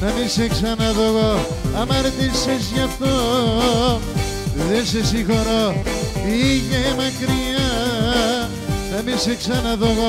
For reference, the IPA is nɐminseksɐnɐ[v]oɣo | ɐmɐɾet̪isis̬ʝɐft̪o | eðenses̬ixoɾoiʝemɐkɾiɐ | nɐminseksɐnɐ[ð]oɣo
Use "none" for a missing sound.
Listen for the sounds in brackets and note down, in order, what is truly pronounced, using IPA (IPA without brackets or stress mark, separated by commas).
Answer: ð, ð